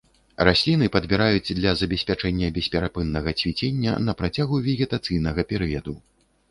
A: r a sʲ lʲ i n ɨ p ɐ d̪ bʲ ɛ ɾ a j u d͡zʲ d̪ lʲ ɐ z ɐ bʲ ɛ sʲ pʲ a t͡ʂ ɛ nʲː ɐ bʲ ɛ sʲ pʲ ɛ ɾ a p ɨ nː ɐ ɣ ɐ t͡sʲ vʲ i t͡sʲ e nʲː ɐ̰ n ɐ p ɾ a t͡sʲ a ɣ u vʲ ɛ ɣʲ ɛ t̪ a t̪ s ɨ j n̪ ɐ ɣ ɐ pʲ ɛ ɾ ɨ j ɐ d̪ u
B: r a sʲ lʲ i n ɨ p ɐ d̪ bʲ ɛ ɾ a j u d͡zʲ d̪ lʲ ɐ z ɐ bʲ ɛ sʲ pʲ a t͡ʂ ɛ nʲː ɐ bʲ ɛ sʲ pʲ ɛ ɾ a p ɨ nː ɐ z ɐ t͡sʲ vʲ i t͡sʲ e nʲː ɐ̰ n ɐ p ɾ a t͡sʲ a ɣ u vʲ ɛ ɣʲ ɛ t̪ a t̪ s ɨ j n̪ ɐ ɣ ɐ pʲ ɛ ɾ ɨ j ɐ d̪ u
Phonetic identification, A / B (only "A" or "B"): A